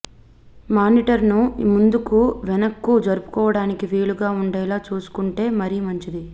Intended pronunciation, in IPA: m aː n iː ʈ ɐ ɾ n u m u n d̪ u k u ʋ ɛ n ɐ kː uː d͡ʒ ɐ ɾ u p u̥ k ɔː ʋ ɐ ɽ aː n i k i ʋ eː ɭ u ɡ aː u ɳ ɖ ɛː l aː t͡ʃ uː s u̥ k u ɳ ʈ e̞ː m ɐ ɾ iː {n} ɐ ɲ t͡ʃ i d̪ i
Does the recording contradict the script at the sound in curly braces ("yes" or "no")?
yes